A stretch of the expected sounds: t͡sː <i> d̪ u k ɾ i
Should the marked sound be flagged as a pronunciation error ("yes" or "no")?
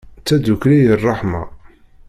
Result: yes